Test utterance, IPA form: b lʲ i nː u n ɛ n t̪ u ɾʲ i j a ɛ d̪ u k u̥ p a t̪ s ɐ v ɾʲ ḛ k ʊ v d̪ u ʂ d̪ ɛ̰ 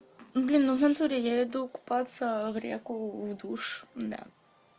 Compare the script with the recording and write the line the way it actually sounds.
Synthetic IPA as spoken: b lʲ i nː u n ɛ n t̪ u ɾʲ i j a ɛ d̪ u k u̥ p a t̪ s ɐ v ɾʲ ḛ k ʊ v d̪ u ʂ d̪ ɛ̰